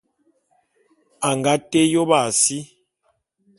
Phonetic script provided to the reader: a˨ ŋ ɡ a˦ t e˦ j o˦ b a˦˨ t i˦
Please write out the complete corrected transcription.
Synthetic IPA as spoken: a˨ ŋ ɡ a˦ t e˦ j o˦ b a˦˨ s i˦

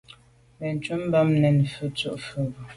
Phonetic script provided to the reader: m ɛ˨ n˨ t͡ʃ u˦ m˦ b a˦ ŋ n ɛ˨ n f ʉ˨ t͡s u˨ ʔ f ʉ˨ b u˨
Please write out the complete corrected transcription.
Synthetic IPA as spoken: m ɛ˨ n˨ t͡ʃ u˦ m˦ b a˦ m n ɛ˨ n f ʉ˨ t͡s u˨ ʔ f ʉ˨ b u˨

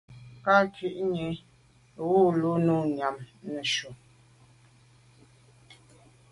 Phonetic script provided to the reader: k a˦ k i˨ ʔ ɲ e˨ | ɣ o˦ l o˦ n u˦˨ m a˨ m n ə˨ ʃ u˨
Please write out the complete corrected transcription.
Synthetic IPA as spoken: k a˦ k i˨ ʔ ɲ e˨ | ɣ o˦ l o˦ n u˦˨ ɲ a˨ m n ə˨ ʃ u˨

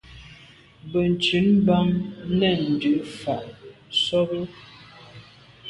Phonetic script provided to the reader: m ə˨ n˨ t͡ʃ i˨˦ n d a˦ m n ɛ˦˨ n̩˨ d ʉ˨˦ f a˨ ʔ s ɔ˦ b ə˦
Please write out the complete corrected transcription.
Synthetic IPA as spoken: b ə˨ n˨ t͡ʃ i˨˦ n b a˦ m n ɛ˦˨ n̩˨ d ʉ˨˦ f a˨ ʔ s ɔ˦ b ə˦

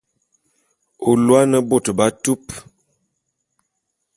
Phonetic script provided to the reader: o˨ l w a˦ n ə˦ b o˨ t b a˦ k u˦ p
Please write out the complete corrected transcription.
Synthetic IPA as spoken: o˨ l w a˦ n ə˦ b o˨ t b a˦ t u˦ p

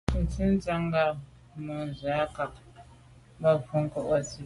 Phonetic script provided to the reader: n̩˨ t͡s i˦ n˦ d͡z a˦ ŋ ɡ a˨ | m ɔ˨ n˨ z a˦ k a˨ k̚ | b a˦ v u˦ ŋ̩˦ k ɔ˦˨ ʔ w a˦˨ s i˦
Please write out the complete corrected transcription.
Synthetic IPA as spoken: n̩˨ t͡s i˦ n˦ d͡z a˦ ŋ ɡ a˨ | m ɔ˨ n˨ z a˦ k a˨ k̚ | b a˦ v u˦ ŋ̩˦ k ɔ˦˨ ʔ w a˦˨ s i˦

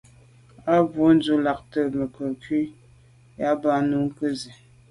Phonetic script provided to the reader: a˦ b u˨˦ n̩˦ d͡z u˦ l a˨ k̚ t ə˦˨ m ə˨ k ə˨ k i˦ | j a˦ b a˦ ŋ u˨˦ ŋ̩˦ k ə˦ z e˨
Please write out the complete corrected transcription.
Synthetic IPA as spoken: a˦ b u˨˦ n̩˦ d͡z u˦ l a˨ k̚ t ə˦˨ m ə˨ k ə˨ k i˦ | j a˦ b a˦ n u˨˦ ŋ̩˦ k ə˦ z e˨

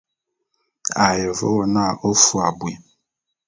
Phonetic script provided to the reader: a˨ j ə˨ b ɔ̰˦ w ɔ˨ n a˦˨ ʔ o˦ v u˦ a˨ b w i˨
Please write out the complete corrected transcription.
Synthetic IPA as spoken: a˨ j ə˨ v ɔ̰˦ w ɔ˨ n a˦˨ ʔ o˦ f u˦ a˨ b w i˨

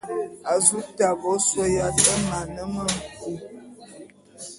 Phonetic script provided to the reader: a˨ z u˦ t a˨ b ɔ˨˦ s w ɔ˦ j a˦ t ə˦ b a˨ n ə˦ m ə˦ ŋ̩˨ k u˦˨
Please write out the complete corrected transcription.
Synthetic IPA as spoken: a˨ z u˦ t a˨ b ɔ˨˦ s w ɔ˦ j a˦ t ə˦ m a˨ n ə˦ m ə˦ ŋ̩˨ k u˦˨

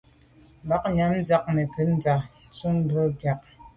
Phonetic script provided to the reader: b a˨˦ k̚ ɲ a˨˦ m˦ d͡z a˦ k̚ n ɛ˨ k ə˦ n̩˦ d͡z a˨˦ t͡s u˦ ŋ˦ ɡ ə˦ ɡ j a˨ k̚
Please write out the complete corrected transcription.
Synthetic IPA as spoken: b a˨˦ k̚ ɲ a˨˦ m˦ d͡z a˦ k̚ n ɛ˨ k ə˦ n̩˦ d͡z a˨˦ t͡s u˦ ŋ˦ b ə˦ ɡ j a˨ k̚

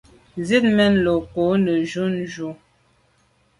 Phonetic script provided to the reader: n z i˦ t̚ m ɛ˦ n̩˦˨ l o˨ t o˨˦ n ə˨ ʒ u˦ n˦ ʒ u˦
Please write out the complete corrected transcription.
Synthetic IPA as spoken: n z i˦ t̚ m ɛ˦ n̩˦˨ l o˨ k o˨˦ n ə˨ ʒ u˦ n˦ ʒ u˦

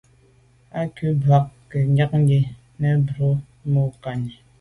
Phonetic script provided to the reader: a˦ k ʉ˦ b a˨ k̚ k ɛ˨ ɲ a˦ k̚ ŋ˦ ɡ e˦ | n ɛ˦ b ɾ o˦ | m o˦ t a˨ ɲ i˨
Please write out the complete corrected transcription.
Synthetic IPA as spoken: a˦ k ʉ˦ b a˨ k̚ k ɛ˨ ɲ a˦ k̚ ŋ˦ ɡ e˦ | n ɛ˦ b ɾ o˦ | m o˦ k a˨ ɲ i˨

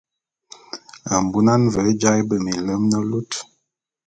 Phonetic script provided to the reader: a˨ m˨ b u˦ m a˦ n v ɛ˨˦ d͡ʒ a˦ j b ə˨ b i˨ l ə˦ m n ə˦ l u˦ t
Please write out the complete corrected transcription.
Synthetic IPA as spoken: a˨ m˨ b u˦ n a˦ n v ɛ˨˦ d͡ʒ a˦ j b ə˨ m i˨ l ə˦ m n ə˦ l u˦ t

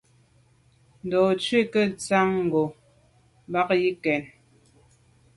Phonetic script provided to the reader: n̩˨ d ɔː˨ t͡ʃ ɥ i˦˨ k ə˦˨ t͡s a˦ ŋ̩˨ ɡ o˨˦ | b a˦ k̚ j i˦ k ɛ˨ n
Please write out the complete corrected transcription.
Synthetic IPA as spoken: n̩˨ d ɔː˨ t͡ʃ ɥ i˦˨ k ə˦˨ t͡s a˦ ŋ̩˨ ɡ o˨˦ | b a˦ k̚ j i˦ k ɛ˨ n

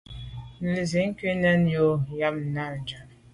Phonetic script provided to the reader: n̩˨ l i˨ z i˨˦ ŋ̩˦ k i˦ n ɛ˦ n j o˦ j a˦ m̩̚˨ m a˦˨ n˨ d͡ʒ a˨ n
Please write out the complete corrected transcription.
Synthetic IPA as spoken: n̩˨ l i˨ z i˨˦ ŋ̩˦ k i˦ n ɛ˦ n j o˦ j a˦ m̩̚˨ n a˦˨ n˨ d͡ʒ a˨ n

